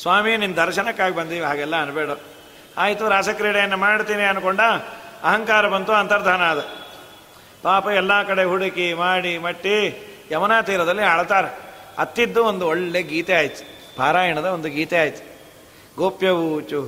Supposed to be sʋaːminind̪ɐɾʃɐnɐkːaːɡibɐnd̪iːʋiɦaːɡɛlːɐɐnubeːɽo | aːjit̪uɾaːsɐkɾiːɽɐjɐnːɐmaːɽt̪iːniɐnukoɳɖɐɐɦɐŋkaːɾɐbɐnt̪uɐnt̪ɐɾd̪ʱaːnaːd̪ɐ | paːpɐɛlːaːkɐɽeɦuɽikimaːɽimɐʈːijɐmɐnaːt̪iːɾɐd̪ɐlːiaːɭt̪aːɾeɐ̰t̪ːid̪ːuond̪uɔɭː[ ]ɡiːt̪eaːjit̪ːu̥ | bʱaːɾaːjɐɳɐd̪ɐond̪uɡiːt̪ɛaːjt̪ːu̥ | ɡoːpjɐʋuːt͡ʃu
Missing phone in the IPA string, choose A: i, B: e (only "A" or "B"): B